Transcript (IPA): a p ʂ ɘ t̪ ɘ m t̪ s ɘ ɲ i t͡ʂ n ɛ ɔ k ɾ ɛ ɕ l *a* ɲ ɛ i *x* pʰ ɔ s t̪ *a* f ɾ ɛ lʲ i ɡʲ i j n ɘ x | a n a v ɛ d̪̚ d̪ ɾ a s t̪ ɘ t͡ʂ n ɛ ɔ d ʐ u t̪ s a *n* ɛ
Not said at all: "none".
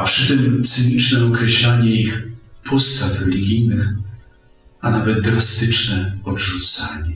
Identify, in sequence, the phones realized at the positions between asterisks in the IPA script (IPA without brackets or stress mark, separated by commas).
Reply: a, x, a, ɲ